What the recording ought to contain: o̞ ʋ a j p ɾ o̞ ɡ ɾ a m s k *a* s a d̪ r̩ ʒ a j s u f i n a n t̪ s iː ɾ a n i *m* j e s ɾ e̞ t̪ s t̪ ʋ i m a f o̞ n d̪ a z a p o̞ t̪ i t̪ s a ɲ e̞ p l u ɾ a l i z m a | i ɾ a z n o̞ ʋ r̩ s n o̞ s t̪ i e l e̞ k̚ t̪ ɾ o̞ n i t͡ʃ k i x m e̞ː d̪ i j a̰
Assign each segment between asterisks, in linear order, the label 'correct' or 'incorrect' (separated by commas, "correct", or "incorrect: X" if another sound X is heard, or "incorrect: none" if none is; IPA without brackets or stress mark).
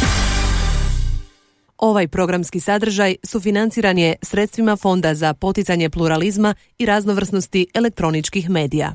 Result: incorrect: i, incorrect: none